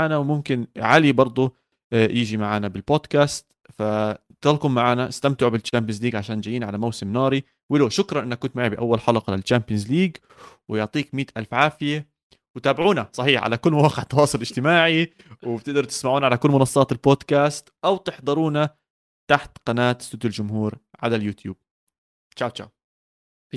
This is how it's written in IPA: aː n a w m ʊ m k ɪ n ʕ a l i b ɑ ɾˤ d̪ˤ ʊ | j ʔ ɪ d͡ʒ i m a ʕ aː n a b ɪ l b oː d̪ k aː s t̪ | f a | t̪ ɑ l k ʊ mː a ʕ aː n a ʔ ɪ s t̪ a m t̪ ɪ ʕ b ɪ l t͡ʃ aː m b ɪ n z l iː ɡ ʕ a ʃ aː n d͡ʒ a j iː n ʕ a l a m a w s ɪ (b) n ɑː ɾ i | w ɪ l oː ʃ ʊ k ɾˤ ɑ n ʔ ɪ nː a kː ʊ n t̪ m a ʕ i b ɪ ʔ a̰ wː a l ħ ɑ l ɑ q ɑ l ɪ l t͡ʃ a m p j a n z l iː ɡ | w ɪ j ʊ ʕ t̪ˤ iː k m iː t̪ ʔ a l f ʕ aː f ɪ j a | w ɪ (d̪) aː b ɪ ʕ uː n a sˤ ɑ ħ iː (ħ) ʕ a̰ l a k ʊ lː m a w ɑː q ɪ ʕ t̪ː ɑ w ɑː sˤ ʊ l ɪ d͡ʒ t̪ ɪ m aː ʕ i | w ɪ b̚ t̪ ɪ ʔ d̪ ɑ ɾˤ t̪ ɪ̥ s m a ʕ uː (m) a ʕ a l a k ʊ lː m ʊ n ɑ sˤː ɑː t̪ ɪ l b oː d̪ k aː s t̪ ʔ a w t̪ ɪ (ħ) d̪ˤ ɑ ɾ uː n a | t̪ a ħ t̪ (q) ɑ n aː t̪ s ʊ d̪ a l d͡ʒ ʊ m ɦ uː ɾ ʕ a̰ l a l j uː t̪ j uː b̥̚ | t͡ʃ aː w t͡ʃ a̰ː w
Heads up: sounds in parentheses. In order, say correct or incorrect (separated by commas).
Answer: incorrect, incorrect, correct, incorrect, correct, correct